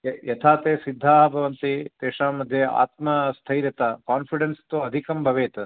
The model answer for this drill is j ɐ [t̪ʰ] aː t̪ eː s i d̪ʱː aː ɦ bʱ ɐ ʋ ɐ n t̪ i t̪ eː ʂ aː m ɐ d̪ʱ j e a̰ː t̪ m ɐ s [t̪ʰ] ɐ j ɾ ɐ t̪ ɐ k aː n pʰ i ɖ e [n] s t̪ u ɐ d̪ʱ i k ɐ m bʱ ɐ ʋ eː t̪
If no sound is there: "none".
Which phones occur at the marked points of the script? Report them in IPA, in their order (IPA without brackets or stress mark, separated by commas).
t̪ʰ, t̪ʰ, n